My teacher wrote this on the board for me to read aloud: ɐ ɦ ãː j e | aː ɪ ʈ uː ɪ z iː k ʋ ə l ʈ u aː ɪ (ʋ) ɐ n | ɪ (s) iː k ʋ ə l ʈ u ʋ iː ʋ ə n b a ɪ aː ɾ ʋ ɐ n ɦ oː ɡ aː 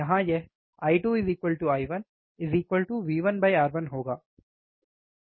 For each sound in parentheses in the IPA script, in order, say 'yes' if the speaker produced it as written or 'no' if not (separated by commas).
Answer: yes, no